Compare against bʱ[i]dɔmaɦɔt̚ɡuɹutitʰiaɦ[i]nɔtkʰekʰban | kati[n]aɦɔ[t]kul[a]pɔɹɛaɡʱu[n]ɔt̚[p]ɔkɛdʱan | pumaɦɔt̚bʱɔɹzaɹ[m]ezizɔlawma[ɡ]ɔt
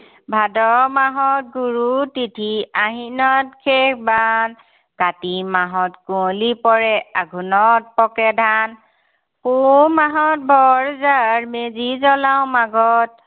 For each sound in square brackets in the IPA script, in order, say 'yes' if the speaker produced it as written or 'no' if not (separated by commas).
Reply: no, yes, no, yes, no, yes, yes, yes, yes